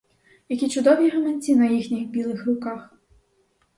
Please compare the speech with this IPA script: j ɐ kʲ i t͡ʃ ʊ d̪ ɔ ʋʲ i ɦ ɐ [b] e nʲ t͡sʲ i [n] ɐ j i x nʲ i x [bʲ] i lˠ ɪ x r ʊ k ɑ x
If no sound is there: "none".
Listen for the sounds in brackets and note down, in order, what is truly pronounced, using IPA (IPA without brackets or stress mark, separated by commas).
m, n, bʲ